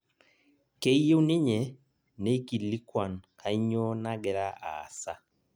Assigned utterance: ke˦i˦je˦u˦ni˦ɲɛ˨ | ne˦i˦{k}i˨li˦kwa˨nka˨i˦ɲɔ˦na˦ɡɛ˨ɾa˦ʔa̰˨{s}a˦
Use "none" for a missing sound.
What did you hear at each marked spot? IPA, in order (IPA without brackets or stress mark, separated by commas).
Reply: k, s